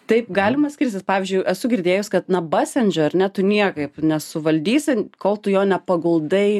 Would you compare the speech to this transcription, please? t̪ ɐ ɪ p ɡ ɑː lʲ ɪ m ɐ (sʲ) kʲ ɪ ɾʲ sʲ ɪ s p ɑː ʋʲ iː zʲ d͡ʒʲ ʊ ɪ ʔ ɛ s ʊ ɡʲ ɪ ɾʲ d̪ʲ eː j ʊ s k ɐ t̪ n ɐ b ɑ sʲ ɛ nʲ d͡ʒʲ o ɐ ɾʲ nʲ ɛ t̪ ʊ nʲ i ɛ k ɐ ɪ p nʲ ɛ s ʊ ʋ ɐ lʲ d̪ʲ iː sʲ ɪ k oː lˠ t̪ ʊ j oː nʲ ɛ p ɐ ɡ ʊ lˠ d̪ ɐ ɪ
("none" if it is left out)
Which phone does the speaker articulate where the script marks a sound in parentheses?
sʲ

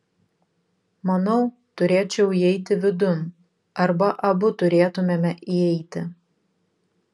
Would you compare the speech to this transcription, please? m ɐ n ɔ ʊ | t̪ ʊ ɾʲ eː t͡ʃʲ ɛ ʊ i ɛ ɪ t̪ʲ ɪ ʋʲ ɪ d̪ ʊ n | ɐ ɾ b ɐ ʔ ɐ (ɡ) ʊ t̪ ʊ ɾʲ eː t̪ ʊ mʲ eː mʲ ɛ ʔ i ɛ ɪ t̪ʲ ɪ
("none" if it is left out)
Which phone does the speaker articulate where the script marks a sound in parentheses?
b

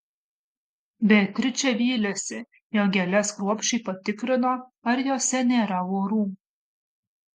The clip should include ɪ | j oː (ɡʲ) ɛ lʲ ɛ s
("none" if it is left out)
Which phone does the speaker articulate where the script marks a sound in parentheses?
ɡʲ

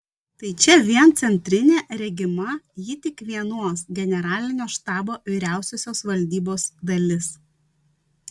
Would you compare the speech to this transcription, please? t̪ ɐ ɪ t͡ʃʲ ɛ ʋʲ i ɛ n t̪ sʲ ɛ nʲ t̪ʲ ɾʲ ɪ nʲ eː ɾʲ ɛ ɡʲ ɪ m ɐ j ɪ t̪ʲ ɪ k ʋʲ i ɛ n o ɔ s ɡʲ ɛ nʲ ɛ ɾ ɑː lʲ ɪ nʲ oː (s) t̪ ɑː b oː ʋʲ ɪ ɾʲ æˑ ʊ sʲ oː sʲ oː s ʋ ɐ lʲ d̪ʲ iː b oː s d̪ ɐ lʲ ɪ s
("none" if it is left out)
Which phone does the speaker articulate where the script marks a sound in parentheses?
ʃ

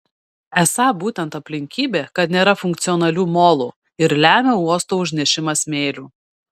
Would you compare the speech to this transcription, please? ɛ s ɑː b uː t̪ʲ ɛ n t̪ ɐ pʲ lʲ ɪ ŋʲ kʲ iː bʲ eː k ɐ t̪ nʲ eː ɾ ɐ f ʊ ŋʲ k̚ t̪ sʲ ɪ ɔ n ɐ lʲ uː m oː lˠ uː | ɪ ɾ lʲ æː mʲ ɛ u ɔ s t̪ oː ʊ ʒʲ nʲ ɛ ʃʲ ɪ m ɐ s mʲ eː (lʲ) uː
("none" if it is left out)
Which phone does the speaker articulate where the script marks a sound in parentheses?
lʲ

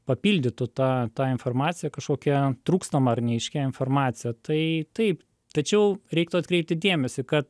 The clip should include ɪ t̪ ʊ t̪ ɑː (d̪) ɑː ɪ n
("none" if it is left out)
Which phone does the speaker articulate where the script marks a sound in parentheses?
t̪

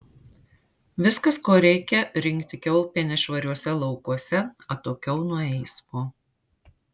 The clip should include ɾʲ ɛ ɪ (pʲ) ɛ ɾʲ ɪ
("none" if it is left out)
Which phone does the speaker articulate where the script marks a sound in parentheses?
kʲ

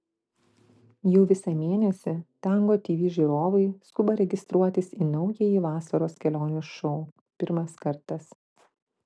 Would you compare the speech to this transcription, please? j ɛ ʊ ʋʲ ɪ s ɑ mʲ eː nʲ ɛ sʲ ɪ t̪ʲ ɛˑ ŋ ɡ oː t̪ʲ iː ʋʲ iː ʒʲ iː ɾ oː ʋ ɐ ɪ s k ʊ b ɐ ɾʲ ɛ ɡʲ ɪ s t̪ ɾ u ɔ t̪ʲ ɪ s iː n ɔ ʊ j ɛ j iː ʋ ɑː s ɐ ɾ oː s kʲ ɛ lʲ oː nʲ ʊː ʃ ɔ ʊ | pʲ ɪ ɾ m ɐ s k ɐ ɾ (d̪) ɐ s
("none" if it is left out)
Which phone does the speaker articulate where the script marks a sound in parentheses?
t̪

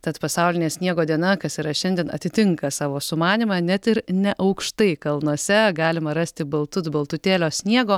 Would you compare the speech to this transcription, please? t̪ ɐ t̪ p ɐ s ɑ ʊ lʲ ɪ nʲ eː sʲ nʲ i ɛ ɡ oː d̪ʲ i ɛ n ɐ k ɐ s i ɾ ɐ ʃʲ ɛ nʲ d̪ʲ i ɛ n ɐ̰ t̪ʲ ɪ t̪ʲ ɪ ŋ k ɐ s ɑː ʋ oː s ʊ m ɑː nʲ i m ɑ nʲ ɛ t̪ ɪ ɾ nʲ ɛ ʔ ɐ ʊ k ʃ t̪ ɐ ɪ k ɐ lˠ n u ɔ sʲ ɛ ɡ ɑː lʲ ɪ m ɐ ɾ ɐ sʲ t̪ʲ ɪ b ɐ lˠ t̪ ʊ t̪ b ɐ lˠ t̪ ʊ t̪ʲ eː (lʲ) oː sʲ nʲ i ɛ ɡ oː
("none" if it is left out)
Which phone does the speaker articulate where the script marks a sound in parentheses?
lʲ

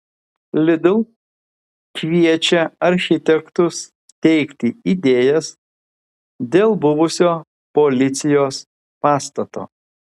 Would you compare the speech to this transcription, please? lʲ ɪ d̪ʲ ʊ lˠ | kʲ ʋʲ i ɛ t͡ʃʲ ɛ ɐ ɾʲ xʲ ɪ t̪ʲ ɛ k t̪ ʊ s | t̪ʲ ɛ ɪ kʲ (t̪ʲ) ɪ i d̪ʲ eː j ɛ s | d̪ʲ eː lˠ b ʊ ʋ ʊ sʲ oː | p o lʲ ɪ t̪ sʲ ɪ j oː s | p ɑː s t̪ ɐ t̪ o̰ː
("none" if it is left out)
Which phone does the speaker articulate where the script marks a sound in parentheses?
t̪ʲ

